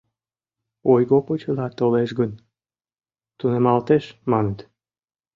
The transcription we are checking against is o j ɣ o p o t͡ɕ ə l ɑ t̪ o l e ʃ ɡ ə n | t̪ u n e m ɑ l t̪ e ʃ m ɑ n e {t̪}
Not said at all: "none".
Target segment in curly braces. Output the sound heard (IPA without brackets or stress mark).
t̪